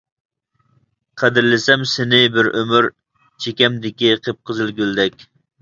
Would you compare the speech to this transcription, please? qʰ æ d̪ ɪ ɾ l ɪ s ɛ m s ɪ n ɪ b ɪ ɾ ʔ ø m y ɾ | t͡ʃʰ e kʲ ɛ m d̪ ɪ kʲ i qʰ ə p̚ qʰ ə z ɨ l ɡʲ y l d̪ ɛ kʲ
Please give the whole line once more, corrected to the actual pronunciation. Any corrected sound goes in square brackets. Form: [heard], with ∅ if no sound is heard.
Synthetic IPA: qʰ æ d̪ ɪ ɾ l ɪ s ɛ m s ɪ n ɪ b ɪ ɾ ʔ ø m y ɾ | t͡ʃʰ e kʲ ɛ m d̪ ɪ kʲ i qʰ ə p̚ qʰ ə z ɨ l ɡʲ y l d̪ ɛ kʲ